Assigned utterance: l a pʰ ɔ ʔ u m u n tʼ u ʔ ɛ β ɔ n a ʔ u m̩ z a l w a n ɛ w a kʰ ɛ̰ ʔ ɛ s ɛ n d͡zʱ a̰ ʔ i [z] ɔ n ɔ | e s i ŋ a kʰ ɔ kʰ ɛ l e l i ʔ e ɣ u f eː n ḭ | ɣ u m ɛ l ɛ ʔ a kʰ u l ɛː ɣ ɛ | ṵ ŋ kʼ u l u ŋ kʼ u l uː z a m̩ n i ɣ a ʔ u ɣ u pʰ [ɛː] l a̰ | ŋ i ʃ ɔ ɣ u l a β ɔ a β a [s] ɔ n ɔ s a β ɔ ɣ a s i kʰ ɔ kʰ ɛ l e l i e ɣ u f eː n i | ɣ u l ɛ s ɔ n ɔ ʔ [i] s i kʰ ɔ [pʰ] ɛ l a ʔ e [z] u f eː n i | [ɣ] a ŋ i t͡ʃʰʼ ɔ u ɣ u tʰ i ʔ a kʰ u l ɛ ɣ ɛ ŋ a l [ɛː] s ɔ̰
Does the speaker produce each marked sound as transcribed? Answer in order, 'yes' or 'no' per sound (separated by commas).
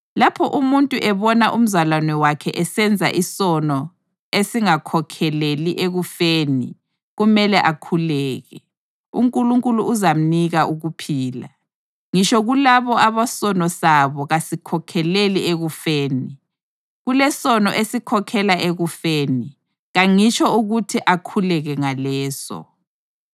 no, no, yes, no, no, no, yes, yes